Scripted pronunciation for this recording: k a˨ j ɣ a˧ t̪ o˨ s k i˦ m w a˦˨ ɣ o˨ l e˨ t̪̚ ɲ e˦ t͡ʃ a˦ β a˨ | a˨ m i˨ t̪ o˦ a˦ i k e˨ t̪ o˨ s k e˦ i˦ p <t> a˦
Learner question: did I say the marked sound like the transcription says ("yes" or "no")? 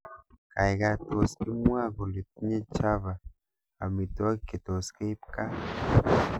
no